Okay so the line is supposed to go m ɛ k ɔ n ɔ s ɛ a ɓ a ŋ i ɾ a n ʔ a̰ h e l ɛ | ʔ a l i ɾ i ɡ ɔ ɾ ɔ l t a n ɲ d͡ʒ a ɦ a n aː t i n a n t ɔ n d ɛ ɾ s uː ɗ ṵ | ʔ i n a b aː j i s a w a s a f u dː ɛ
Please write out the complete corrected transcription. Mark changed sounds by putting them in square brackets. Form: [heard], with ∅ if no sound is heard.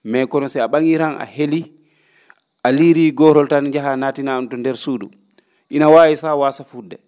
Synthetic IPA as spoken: m ɛ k ɔ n ɔ s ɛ a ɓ a ŋ i ɾ a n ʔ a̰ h e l [i] | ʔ a l i ɾ i ɡ ɔ ɾ ɔ l t a n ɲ d͡ʒ a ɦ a n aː t i n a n t ɔ n d ɛ ɾ s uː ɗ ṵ | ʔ i n a [w] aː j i s a w a s a f u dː ɛ